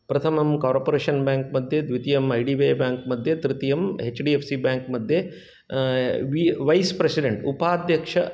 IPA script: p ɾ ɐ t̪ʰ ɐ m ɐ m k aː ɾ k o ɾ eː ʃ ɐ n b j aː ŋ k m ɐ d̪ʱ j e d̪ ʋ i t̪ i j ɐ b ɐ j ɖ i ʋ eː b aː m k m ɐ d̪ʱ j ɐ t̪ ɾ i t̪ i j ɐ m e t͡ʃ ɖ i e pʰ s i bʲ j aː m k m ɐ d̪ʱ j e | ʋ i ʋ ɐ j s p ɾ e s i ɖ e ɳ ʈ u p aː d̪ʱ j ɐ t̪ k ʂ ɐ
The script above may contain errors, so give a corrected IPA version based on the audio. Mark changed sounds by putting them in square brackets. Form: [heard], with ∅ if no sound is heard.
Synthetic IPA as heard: p ɾ ɐ t̪ʰ ɐ m ɐ m k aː ɾ [p] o ɾ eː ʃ ɐ n b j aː ŋ k m ɐ d̪ʱ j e d̪ ʋ i t̪ i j ɐ [m] ɐ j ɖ i ʋ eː b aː [ŋ] k m ɐ d̪ʱ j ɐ t̪ ɾ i t̪ i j ɐ m e t͡ʃ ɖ i e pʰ s i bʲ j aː [ŋ] k m ɐ d̪ʱ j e | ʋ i ʋ ɐ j s p ɾ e s i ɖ e ɳ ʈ u p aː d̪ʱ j ɐ [∅] k ʂ ɐ

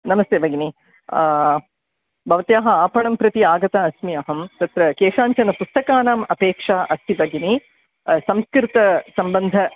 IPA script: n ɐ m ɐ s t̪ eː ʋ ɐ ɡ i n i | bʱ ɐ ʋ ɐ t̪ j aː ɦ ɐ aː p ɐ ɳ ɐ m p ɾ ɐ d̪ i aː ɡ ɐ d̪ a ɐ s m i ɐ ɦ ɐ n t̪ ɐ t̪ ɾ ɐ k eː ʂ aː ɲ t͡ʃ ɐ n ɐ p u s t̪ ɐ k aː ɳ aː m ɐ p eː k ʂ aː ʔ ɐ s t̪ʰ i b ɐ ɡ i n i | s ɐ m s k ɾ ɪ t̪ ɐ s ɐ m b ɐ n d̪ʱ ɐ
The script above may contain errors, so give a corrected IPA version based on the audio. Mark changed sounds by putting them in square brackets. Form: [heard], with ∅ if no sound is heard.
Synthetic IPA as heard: n ɐ m ɐ s t̪ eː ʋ ɐ ɡ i n i | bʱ ɐ ʋ ɐ t̪ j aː ɦ ɐ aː p ɐ ɳ ɐ m p ɾ ɐ [t̪] i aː ɡ ɐ [t̪] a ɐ s m i ɐ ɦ ɐ [m] t̪ ɐ t̪ ɾ ɐ k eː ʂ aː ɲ t͡ʃ ɐ n ɐ p u s t̪ ɐ k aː [n] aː m ɐ p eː k ʂ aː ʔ ɐ s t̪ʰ i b ɐ ɡ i n i | s ɐ m s k ɾ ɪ t̪ ɐ s ɐ m b ɐ n d̪ʱ ɐ

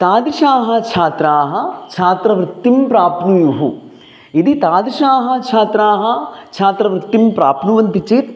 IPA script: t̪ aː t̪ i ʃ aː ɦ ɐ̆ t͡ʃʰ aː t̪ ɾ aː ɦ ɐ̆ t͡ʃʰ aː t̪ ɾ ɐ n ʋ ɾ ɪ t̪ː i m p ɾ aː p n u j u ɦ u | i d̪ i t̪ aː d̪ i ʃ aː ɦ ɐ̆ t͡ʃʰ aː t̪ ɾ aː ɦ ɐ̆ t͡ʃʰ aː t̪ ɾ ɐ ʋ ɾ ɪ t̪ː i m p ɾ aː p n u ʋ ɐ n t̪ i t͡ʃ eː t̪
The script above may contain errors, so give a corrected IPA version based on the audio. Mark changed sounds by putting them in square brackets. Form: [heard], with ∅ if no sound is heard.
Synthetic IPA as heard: t̪ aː [d̪] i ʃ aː ɦ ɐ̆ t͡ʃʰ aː t̪ ɾ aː ɦ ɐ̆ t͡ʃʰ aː t̪ ɾ ɐ [∅] ʋ ɾ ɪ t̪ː i m p ɾ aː p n u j u ɦ u | i d̪ i t̪ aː d̪ i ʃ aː ɦ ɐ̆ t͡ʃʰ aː t̪ ɾ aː ɦ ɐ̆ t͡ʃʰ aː t̪ ɾ ɐ ʋ ɾ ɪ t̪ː i m p ɾ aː p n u ʋ ɐ n t̪ i t͡ʃ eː t̪

